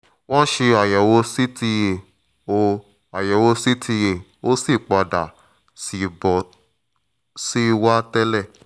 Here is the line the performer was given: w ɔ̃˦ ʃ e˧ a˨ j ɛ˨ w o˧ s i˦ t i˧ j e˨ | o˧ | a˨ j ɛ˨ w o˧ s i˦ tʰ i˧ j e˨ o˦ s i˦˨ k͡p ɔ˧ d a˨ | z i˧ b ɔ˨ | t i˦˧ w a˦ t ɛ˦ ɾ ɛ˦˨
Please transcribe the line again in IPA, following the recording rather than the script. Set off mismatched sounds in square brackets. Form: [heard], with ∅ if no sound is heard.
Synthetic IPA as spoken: w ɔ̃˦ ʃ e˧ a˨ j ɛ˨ w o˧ s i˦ t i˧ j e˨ | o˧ | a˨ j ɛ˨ w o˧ s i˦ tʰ i˧ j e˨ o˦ s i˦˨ k͡p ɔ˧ d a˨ | [s] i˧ b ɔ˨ | [s] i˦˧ w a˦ t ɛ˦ [l] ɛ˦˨